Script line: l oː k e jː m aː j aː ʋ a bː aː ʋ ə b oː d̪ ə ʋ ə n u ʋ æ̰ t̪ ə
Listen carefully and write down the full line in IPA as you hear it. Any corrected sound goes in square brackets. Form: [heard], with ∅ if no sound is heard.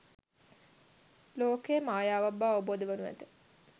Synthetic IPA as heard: l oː k e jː m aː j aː ʋ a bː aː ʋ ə b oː d̪ ə ʋ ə n u ʋ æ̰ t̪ ə